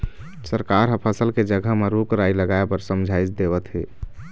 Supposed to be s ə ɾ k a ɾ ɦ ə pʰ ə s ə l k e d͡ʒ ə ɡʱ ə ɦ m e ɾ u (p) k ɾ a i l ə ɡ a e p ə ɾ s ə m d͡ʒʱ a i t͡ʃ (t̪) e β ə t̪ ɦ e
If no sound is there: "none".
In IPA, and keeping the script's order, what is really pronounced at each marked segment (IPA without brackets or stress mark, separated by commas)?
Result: none, d̪